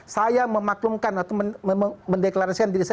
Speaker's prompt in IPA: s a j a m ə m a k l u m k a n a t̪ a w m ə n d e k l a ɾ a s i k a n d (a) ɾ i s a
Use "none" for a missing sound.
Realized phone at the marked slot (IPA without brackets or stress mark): i